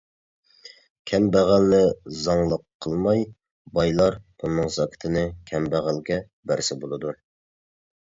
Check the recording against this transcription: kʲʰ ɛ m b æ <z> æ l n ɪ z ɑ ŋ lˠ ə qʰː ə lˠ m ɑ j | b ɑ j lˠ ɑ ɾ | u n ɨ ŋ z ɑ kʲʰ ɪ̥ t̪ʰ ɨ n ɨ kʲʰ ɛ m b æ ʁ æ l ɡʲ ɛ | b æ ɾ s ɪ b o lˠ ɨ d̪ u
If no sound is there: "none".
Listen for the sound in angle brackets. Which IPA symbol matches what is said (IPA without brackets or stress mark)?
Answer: ʁ